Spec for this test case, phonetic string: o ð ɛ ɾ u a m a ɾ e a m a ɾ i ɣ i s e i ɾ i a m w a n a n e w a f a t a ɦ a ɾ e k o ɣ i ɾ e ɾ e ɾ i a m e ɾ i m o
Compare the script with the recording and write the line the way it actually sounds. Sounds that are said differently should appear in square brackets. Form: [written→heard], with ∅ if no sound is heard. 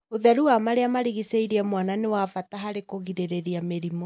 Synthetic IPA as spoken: o ð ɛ ɾ u a m a ɾ e a m a ɾ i ɣ i s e i ɾ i [a→ɛ] m w a n a n e w a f a t a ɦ a ɾ e k o ɣ i ɾ e ɾ e ɾ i a m e ɾ i m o